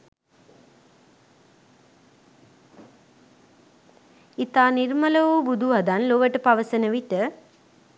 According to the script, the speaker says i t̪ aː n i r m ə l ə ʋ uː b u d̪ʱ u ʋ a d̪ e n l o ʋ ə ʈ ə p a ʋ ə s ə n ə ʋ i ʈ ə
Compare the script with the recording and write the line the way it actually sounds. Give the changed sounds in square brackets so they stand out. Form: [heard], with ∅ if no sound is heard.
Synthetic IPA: i t̪ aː n i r m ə l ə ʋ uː b u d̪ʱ u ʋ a d̪ [a] n l o ʋ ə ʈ ə p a ʋ ə s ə n ə ʋ i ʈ ə